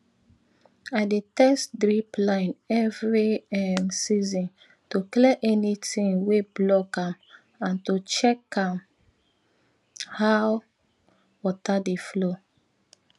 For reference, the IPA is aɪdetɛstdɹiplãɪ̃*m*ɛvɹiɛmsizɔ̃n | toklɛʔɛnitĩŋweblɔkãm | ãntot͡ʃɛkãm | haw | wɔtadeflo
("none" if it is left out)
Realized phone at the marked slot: n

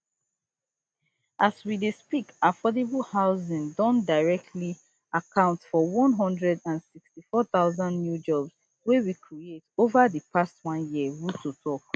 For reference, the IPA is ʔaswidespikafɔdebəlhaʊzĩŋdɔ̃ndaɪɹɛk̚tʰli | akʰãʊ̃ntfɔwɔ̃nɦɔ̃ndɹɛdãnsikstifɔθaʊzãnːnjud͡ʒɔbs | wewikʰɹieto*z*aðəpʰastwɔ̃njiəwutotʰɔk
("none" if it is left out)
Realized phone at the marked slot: v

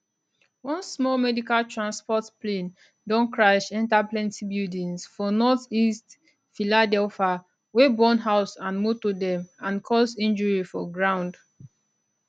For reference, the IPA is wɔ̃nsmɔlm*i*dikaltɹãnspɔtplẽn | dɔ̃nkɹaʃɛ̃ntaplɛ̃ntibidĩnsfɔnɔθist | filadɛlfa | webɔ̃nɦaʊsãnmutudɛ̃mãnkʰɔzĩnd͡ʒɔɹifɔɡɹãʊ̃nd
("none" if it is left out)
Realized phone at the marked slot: ɛ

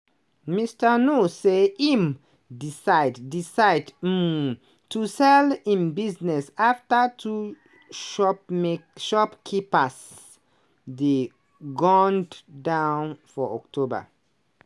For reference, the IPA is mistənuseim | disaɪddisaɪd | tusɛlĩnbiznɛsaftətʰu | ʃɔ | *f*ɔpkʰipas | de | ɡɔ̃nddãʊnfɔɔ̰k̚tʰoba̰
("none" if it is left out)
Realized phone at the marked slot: ʃ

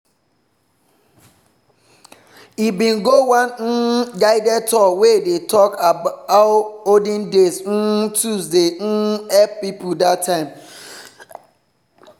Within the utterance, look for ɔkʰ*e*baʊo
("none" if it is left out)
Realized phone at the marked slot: a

